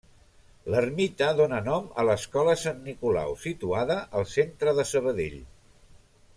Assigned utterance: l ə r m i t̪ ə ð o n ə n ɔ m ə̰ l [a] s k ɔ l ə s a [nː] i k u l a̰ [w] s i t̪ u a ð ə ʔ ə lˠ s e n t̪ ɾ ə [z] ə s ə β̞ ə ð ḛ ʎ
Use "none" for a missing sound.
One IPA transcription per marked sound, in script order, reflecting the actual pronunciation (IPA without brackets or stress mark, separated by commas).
ə, nː, w, ð